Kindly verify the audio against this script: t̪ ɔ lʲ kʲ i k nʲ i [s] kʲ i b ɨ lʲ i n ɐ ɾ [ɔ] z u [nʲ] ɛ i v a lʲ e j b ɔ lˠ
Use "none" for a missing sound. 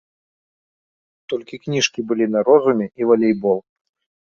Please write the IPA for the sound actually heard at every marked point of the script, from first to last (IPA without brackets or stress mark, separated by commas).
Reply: ʂ, ɔ, mʲ